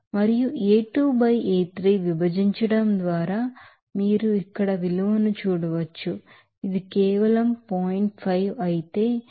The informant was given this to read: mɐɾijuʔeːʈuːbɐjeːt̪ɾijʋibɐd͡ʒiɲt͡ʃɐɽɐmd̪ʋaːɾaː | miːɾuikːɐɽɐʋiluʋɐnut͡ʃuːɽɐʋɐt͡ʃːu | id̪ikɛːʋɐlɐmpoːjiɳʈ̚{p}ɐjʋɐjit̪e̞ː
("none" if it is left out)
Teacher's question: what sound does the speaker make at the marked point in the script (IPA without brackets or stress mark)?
pʰ